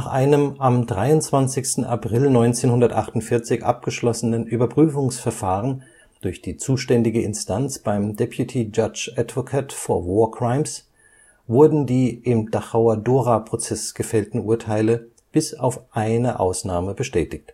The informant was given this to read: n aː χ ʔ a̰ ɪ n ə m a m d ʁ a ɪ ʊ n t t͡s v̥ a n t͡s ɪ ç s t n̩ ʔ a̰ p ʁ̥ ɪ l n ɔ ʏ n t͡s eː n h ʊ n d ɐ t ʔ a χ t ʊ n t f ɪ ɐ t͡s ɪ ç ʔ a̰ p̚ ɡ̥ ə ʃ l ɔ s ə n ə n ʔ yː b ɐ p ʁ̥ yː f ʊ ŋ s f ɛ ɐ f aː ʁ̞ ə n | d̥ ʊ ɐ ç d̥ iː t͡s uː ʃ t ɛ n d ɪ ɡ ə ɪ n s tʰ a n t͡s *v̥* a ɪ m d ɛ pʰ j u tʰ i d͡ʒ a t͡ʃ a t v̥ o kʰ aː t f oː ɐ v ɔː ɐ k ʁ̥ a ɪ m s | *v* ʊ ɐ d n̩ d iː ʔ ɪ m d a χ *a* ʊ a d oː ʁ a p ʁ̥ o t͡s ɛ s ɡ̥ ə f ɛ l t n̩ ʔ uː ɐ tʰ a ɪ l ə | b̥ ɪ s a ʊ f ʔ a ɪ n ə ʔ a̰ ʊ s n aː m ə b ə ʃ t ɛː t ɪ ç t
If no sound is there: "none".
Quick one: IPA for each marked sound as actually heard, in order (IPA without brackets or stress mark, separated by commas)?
b̥, v, a